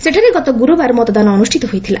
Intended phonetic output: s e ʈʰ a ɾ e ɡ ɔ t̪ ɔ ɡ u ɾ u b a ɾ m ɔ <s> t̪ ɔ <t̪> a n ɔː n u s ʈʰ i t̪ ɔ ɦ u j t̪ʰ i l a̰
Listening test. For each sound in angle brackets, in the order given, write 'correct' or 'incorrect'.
incorrect: none, incorrect: d̪

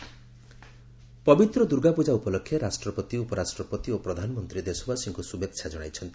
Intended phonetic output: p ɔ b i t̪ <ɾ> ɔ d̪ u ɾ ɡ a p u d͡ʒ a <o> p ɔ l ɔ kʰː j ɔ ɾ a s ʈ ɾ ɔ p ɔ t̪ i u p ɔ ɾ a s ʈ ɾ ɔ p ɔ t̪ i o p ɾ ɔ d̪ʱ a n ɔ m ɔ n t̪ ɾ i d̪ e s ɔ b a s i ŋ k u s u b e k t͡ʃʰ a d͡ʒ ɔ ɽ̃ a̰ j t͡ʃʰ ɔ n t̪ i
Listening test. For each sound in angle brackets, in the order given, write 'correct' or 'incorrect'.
correct, incorrect: u

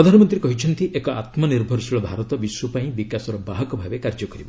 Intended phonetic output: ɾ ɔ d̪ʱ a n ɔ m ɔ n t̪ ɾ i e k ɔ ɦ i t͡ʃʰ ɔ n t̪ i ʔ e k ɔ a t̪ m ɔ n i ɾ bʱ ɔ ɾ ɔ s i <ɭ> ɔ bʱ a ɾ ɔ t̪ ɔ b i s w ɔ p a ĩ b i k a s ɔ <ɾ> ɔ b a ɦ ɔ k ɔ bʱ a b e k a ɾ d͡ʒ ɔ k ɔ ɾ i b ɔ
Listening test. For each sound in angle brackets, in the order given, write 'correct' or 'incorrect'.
correct, correct

